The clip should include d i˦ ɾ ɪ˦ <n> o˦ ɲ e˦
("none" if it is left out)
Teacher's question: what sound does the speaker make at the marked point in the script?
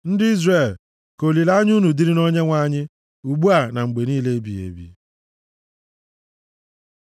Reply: n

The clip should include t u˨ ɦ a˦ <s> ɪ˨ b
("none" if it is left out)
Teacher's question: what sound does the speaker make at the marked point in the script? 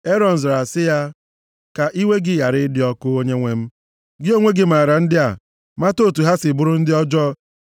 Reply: s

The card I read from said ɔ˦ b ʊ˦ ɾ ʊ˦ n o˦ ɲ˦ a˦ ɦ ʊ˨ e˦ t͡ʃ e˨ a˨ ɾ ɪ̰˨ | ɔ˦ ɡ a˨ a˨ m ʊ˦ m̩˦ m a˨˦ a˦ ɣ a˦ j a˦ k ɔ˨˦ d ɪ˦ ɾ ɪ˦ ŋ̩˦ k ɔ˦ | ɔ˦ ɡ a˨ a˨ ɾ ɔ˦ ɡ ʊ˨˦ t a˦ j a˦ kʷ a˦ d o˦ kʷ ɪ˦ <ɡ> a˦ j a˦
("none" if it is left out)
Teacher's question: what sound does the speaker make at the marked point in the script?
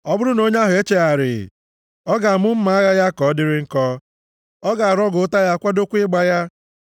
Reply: ɡ͡b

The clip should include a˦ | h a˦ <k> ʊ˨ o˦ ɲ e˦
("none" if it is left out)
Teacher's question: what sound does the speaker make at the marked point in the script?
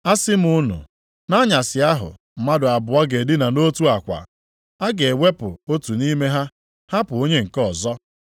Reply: p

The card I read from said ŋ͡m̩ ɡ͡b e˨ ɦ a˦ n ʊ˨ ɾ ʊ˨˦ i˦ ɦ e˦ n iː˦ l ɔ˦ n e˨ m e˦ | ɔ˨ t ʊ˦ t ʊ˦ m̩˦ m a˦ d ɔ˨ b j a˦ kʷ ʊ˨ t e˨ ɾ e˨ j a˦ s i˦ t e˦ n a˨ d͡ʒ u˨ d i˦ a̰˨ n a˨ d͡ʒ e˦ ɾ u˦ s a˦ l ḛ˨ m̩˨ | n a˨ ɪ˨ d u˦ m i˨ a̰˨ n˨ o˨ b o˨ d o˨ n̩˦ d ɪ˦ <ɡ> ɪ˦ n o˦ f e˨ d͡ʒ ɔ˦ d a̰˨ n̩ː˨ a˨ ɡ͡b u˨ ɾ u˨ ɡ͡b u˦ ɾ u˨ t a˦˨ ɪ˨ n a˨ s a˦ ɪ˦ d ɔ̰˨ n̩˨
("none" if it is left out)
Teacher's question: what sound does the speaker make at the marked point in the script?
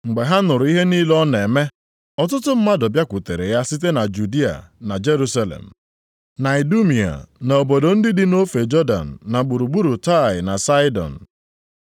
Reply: d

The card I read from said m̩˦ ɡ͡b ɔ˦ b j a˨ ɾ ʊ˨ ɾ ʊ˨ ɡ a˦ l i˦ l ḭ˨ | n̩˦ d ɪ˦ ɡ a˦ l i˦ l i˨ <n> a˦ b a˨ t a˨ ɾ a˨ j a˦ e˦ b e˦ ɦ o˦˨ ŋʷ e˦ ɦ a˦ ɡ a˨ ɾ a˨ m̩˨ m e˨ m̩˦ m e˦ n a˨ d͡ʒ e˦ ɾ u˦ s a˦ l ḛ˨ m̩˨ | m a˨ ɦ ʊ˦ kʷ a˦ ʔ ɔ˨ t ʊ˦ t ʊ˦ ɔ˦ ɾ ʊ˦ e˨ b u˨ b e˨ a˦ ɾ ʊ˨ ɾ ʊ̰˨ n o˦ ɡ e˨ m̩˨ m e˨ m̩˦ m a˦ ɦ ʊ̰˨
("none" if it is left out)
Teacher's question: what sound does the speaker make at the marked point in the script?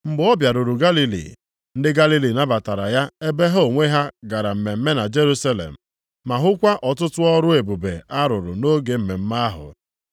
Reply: n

